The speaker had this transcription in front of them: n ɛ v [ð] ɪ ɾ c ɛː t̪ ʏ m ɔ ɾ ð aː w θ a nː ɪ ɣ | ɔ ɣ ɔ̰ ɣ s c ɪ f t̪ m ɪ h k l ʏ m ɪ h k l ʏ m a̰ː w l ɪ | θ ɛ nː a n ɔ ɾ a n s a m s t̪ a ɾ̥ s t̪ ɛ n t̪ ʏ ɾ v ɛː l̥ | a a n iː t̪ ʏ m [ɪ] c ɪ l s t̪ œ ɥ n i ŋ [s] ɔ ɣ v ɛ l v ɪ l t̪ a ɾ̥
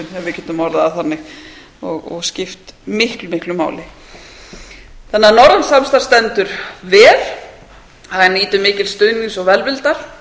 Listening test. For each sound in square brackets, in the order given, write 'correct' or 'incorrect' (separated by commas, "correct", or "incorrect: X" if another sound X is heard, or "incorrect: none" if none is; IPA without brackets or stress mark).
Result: incorrect: v, incorrect: ɪː, correct